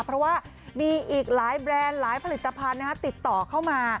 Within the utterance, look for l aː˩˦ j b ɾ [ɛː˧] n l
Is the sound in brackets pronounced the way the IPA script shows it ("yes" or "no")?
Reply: yes